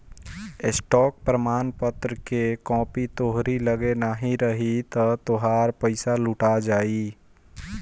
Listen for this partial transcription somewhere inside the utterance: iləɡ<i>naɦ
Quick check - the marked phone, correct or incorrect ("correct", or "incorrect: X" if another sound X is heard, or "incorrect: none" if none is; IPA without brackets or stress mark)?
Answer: incorrect: e